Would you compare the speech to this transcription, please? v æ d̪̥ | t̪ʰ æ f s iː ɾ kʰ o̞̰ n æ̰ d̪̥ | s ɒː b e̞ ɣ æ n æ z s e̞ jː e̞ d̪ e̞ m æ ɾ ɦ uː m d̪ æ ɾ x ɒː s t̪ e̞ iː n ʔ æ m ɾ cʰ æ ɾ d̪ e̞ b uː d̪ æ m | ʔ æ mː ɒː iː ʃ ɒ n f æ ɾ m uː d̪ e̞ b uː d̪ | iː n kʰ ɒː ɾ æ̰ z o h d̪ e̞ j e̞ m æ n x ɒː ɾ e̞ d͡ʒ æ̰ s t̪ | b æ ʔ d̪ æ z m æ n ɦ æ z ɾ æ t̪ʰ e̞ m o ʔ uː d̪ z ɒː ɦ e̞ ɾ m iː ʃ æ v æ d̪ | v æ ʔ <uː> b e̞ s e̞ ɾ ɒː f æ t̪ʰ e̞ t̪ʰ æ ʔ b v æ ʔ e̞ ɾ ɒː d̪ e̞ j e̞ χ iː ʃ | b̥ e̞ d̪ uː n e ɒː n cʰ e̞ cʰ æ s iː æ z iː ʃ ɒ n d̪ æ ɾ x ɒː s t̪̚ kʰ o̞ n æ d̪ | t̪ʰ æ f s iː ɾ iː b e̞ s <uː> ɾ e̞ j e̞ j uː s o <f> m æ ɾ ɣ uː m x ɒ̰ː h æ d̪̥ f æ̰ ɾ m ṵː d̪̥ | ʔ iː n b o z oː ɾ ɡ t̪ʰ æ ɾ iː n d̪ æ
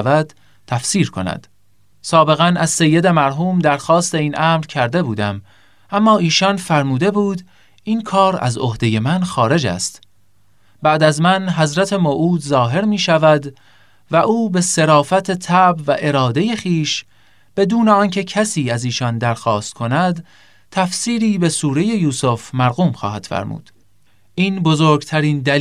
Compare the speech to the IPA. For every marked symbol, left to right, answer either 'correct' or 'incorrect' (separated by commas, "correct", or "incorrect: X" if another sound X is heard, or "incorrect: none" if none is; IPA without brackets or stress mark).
correct, correct, correct